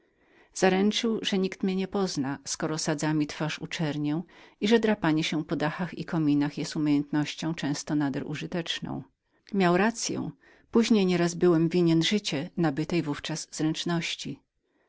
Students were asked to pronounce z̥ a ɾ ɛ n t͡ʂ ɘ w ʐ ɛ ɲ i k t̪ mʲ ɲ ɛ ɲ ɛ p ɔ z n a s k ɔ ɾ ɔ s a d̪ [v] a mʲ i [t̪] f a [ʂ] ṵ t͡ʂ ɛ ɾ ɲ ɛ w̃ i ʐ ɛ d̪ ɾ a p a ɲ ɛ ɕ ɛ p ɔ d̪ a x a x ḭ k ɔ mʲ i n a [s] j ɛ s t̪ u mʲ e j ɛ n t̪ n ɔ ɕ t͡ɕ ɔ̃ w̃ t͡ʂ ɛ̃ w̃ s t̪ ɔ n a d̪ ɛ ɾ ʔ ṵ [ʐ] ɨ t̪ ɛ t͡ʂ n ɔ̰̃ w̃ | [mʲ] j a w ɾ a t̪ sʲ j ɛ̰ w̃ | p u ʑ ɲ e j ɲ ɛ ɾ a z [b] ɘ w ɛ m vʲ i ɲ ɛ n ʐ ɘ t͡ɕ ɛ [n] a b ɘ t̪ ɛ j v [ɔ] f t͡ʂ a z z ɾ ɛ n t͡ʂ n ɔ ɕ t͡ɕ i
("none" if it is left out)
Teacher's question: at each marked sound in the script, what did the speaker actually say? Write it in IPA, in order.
z, t̪, ʂ, x, ʐ, mʲ, b, n, u

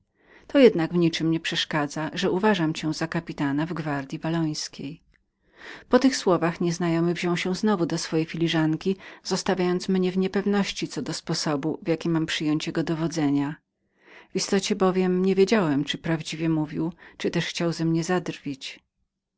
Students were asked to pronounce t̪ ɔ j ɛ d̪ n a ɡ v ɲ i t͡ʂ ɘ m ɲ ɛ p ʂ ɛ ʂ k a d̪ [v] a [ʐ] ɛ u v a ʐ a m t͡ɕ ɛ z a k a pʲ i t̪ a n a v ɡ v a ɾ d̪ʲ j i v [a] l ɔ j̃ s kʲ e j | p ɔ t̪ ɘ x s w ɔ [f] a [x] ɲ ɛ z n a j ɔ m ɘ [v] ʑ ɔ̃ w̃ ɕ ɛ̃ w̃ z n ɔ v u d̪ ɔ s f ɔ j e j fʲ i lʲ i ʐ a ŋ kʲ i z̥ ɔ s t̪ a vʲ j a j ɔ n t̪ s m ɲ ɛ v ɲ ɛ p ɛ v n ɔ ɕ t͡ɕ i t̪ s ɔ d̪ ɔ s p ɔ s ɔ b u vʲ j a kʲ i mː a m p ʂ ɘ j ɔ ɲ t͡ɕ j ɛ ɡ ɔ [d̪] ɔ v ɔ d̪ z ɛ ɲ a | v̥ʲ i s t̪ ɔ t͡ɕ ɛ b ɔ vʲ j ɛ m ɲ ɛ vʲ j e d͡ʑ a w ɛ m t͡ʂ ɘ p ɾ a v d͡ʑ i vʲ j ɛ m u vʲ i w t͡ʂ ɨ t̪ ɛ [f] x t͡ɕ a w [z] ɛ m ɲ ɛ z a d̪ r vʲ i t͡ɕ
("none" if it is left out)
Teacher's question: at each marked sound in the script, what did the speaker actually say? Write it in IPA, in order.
z, ʐ, a, v, x, v, d̪, ʂ, z

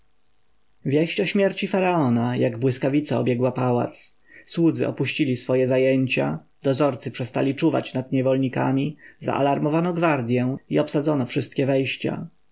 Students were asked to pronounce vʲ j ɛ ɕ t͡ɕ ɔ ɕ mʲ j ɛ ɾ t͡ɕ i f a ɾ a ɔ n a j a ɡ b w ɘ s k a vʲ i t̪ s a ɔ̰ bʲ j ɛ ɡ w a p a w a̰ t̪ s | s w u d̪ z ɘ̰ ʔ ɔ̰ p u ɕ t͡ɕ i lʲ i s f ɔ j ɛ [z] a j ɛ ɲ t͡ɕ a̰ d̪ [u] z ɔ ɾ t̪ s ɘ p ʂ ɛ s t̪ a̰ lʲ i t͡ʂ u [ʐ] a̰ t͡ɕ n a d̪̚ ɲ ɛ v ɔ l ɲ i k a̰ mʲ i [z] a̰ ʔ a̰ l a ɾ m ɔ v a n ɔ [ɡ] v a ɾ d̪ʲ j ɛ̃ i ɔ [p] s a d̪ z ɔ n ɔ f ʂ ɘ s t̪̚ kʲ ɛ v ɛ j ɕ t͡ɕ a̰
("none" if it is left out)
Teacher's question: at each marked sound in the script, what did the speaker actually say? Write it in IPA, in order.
z, ɔ, v, z, ɡ, p

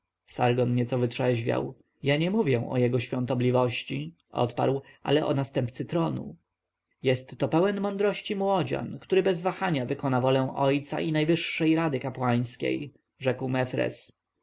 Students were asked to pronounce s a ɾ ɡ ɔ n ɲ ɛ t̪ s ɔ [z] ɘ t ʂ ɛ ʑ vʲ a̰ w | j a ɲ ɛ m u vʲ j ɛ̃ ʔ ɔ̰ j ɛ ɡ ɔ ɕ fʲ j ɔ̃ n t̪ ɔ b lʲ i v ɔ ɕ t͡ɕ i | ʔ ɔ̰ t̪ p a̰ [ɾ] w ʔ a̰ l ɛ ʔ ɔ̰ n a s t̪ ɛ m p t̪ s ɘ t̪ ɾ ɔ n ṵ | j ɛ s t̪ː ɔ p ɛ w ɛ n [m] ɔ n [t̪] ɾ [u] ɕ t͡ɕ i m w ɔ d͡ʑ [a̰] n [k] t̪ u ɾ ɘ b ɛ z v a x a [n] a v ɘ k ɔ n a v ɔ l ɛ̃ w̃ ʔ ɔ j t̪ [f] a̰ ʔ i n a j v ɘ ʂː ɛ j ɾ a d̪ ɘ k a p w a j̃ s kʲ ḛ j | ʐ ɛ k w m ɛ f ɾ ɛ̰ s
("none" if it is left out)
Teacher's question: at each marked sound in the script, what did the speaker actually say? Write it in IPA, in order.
v, ɾ, m, d̪, ɔ, a̰, k, ɲ, s

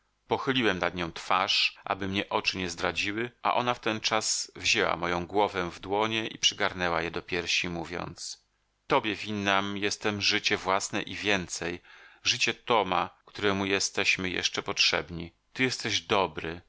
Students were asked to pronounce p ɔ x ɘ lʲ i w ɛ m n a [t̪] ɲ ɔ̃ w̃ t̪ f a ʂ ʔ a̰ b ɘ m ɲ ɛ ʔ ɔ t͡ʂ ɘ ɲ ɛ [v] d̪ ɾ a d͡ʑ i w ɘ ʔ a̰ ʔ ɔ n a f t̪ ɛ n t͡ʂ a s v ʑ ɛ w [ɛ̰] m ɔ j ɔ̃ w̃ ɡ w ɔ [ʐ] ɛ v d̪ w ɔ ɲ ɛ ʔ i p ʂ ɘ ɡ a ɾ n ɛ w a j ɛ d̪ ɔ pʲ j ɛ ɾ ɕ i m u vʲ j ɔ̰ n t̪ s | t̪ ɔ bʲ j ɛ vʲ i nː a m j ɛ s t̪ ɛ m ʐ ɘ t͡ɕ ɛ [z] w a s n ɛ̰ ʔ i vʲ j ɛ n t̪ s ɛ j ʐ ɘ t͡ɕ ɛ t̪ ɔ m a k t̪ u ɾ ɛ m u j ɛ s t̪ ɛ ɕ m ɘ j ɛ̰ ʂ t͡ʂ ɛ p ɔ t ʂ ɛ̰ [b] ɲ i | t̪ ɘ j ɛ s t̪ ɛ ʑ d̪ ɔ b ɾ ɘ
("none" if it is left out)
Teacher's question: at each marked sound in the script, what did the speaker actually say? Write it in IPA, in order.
d̪, z, a̰, v, v, b

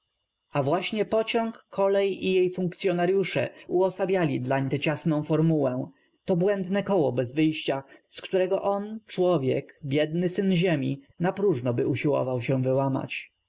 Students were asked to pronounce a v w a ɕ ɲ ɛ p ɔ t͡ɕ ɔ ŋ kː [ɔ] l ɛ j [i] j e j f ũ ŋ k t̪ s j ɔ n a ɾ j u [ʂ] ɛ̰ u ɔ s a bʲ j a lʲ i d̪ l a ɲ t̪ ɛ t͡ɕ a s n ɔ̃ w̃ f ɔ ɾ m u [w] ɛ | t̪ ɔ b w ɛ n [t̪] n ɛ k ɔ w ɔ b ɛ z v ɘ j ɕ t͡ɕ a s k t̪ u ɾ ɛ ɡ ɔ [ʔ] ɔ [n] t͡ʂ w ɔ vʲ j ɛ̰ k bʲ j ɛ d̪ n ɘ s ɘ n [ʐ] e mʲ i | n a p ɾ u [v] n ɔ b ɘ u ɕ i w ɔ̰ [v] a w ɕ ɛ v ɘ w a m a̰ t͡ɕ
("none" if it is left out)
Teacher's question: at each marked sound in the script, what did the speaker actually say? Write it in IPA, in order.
ɔ, i, ʂ, w, d̪, ʔ, n, ʑ, ʐ, v

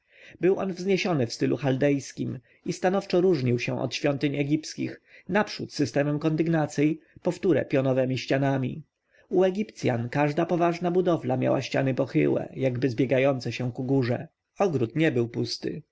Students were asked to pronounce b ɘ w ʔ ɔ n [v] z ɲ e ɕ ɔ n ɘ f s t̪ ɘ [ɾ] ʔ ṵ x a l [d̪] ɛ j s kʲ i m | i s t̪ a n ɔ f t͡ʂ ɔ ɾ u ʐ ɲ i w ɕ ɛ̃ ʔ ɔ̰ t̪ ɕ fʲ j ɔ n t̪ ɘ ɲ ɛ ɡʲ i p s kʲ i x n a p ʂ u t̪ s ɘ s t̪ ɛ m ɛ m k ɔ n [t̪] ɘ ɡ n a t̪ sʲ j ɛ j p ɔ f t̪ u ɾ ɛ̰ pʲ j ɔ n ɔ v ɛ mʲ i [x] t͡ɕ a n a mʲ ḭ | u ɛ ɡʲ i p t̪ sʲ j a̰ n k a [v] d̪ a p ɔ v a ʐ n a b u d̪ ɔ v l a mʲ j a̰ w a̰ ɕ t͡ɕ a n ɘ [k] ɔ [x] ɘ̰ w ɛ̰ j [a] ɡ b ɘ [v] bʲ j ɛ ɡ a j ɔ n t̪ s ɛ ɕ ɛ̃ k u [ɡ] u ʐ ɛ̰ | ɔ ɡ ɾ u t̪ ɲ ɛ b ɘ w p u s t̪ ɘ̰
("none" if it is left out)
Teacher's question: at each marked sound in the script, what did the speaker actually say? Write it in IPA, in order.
v, l, d̪, d̪, ɕ, ʐ, p, x, a, z, ɡ

